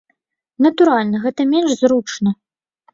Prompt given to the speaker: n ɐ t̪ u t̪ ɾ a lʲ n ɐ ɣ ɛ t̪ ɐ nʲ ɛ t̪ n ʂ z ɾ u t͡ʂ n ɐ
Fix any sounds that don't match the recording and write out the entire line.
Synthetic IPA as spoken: n ɐ t̪ u ɾ a lʲ n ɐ ɣ ɛ t̪ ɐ mʲ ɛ n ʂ z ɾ u t͡ʂ n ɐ